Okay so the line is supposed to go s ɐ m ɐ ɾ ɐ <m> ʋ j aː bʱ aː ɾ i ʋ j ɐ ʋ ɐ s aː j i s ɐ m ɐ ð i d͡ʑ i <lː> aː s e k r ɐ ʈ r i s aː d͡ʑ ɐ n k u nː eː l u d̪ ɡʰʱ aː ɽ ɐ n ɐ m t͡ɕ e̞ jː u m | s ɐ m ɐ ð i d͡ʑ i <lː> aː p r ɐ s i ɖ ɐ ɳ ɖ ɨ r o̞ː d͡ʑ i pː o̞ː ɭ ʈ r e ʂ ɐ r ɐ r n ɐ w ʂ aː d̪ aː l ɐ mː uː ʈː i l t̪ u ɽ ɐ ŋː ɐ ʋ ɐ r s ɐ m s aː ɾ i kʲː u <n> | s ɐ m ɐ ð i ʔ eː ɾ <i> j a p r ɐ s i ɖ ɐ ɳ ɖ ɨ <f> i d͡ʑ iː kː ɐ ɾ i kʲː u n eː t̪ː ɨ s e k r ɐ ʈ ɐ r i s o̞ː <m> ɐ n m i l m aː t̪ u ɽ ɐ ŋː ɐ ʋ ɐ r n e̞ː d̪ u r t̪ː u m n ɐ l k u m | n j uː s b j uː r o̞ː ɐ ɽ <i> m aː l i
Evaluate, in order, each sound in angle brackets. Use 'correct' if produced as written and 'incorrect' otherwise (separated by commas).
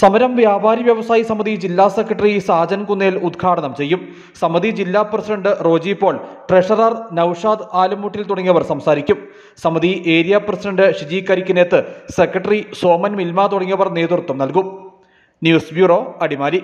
correct, correct, correct, incorrect, correct, incorrect, correct, correct